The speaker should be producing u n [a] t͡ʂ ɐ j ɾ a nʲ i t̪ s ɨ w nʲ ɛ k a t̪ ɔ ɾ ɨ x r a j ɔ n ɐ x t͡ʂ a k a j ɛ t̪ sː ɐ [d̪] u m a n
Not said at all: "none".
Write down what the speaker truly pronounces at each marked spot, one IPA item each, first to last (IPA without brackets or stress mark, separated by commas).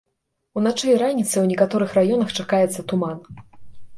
a, t̪